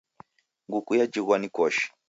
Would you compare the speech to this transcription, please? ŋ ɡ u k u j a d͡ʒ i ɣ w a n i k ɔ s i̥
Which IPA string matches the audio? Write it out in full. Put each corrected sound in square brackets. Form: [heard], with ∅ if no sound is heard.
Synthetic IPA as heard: ŋ ɡ u k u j a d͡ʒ i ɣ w a n i k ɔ [ʃ] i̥